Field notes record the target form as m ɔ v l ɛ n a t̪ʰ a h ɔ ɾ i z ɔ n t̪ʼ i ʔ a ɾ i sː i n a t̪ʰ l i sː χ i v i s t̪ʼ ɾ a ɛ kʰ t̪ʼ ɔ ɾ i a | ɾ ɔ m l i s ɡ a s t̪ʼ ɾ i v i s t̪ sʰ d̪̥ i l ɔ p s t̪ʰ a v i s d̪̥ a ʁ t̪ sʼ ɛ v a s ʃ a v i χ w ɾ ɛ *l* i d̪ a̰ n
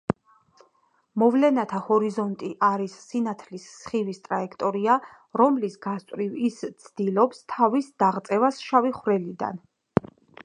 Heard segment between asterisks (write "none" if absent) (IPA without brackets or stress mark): l